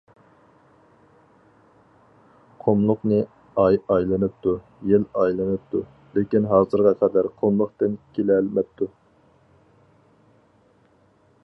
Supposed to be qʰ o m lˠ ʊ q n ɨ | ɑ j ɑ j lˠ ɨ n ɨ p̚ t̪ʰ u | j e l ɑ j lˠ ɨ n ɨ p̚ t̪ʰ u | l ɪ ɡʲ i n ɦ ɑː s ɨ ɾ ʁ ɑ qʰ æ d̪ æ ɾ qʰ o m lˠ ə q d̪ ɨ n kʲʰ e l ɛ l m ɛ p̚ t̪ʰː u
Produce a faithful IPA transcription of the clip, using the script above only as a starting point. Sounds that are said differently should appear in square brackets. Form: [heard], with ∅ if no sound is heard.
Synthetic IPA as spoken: qʰ o m lˠ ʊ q n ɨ | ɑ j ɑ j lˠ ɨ n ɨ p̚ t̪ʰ u | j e l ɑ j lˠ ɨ n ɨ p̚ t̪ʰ u | l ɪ [kʲ] i n ɦ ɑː [z] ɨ ɾ ʁ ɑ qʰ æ d̪ æ ɾ qʰ o m lˠ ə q [t̪] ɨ n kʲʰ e l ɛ l m ɛ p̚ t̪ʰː u